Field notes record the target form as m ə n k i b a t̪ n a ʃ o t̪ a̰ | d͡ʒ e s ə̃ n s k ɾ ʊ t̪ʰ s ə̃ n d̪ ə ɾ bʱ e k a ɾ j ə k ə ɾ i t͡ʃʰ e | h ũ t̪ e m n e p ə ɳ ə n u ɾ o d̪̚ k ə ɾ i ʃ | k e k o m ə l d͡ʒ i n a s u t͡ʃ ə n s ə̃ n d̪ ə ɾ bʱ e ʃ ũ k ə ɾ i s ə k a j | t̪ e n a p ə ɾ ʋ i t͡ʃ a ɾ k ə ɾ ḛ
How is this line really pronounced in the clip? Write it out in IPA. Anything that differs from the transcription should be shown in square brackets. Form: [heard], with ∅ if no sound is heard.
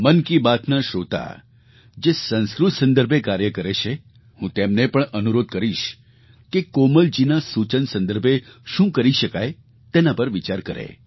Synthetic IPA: m ə n k i b a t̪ n a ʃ o t̪ a̰ | d͡ʒ e s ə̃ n s k ɾ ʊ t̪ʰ s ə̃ n d̪ ə ɾ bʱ e k a ɾ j ə k ə ɾ [e] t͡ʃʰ e | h ũ t̪ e m n e p ə ɳ ə n u ɾ o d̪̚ k ə ɾ i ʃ | k e k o m ə l d͡ʒ i n a s u t͡ʃ ə n s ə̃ n d̪ ə ɾ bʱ e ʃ ũ k ə ɾ i [ʃ] ə k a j | t̪ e n a p ə ɾ ʋ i t͡ʃ a ɾ k ə ɾ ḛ